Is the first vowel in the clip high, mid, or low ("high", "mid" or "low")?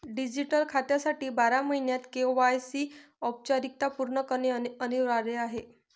high